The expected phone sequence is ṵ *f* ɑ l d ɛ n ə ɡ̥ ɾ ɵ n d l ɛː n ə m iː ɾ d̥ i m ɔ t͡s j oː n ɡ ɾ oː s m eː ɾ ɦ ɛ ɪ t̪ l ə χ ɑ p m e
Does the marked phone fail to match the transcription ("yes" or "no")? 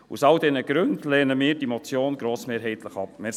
yes